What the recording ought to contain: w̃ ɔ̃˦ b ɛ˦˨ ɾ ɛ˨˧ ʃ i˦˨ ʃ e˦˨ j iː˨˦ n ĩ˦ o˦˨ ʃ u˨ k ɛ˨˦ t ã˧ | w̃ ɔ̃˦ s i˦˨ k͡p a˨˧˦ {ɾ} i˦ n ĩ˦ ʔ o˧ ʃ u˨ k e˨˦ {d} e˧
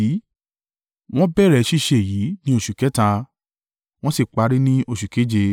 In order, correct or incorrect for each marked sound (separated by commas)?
correct, incorrect